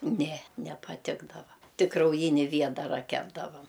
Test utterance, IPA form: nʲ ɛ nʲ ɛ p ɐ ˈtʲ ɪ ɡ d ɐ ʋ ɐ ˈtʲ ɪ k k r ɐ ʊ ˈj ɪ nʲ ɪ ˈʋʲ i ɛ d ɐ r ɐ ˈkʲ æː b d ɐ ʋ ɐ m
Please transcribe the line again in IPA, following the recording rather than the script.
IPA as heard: nʲ ɛ nʲ ɛ p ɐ ˈtʲ ɪ ɡ d ɐ ʋ ɐ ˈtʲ ɪ k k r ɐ ʊ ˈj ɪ nʲ ɪ ˈʋʲ i ɛ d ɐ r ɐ ˈkʲ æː b d ɐ ʋ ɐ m